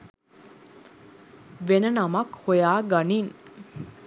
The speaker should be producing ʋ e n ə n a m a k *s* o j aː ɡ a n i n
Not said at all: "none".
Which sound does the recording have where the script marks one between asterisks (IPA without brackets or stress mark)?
h